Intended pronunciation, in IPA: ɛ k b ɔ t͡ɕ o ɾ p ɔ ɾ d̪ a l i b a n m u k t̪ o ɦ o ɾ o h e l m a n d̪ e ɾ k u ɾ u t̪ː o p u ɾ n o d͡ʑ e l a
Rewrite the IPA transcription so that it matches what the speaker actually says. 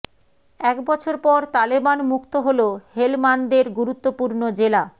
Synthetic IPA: ɛ k b ɔ t͡ɕʰ o ɾ p ɔ ɾ t̪ a l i b a n m u k t̪ o ɦ o l o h e l m a n d̪ e ɾ ɡ u ɾ u t̪ː o p u ɾ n o d͡ʑ e l a